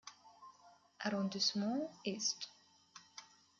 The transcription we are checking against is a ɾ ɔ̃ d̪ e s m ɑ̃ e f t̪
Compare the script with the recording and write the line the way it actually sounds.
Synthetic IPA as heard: a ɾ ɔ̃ d̪ i s m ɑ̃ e s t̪